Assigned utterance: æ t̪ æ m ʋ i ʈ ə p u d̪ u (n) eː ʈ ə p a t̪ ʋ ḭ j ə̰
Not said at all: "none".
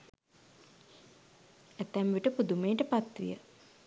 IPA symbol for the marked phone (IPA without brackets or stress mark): m